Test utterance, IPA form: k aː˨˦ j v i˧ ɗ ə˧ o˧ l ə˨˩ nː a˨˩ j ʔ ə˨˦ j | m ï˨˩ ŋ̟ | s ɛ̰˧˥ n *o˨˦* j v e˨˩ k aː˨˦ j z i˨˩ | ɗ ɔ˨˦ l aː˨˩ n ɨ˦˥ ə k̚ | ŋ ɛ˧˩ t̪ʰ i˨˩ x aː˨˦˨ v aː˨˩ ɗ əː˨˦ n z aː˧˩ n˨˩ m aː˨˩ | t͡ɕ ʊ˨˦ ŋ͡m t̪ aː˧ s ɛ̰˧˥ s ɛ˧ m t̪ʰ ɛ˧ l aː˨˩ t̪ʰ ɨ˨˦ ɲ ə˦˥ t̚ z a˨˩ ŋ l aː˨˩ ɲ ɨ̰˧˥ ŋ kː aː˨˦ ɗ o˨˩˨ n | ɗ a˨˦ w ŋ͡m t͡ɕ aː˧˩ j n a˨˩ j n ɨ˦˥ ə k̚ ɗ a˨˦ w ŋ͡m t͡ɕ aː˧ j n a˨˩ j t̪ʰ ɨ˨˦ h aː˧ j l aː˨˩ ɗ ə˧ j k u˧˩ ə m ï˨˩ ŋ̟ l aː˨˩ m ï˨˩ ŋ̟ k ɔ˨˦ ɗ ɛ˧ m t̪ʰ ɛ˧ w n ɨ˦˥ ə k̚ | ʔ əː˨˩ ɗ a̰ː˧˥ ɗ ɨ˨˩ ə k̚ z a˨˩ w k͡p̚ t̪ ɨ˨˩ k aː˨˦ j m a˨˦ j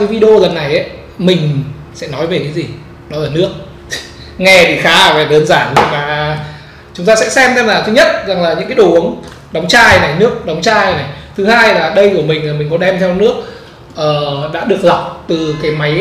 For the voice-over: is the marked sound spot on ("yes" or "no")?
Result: no